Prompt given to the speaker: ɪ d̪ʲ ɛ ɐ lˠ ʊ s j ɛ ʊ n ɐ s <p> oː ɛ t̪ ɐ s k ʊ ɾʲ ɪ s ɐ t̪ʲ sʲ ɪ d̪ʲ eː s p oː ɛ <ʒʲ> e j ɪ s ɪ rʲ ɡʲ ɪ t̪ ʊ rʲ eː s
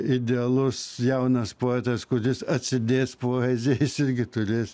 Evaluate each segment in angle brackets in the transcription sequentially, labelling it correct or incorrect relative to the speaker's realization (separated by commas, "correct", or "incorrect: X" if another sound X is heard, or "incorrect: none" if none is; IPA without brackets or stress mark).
correct, incorrect: zʲ